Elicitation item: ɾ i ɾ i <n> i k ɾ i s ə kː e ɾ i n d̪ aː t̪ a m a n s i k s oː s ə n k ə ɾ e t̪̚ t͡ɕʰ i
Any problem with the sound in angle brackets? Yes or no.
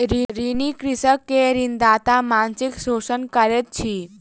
no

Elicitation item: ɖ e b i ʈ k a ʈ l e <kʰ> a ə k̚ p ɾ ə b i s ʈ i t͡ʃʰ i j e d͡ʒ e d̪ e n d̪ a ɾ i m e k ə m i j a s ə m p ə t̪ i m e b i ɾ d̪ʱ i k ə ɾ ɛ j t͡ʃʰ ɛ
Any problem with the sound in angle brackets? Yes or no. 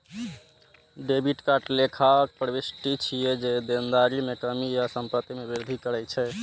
no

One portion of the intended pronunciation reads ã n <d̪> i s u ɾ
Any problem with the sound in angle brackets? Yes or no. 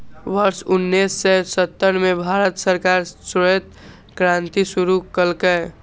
yes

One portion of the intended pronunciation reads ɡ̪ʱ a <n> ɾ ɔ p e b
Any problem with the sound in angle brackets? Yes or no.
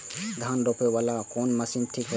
no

